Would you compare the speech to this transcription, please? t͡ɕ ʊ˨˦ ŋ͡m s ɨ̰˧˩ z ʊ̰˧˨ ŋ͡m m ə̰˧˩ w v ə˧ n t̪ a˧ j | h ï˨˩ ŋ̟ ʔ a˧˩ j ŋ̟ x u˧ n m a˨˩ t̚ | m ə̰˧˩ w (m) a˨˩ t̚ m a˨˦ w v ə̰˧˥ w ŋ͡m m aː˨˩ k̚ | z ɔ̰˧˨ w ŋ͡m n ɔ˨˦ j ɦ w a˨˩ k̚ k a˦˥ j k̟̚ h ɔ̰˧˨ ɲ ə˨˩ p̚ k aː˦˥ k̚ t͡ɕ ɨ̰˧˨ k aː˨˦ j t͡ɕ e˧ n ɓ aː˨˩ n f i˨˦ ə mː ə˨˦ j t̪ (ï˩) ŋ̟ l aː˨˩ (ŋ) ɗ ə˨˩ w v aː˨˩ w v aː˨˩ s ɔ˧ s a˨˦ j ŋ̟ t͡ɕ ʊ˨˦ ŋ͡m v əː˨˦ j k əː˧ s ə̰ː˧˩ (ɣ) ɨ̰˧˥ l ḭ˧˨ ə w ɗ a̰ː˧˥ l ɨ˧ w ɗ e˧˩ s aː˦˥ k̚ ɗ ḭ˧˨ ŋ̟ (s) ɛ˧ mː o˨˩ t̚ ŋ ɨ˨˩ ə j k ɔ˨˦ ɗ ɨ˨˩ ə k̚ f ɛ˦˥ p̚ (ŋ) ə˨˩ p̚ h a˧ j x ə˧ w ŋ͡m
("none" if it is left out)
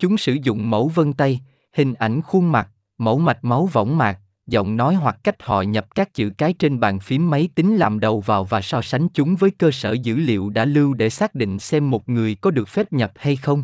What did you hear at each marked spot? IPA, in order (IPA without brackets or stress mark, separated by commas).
m, ï˨˦, m, z, s, ɲ